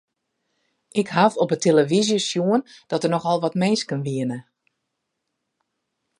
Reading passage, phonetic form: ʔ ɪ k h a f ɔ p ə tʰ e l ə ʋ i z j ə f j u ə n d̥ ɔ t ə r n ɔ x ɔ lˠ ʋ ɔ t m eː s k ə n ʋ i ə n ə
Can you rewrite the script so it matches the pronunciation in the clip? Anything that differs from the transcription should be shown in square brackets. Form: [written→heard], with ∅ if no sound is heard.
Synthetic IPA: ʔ ɪ k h a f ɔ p ə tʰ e l ə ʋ i z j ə [f→s] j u ə n d̥ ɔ t ə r n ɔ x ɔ lˠ ʋ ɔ t m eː s k ə n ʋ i ə n ə